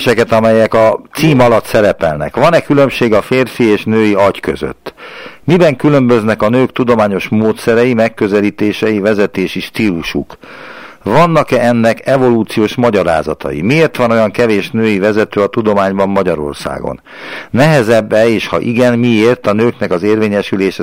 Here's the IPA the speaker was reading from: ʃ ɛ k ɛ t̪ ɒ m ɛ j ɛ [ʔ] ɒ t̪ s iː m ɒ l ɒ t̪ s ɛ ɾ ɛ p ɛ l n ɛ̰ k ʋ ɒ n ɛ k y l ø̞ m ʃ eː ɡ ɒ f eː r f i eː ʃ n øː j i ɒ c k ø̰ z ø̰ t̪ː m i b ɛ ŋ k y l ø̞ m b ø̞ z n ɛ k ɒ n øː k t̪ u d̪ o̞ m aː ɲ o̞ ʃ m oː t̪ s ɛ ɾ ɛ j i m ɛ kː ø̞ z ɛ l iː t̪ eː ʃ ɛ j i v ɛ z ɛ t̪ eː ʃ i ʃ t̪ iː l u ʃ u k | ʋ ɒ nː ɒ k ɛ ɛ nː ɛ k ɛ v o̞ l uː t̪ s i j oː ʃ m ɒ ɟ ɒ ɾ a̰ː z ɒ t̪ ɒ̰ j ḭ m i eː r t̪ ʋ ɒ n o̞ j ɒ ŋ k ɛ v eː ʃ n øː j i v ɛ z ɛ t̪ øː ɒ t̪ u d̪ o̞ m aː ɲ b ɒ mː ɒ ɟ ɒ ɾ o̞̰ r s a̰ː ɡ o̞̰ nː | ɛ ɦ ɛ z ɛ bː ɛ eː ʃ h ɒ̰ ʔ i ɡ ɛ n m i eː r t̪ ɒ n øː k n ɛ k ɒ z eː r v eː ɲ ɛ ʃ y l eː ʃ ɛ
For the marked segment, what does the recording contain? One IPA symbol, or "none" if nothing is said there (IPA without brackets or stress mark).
k